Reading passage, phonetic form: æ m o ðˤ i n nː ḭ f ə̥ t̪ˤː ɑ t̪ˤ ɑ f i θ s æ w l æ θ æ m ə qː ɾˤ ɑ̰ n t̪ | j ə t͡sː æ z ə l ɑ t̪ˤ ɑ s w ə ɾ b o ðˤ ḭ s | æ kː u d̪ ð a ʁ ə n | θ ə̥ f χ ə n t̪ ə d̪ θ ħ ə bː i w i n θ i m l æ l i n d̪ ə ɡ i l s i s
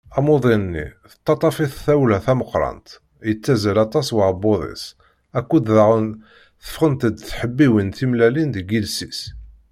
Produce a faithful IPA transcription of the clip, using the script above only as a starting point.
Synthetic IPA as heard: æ m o ðˤ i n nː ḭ θ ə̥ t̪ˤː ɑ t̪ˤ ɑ f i θ θ æ w l æ θ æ m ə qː ɾˤ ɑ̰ n t̪ | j ə t͡sː æ z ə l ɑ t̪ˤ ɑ s w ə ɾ b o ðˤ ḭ s | æ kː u d̪ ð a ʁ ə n | θ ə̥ f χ ə n t̪ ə d̪ θ ħ ə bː i w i n θ i m l æ l i n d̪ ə ɡ i l s i s